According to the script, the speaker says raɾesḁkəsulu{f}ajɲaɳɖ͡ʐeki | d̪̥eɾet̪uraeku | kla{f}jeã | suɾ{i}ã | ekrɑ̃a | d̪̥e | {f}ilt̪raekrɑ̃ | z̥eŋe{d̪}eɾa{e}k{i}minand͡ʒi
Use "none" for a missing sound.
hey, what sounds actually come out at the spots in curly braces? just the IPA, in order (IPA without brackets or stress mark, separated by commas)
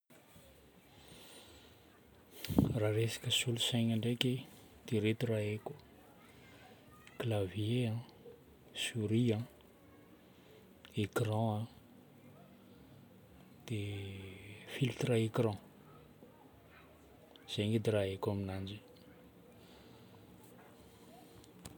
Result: s, v, i, f, d̪, e, a